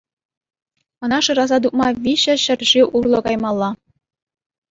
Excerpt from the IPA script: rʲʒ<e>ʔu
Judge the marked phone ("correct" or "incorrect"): incorrect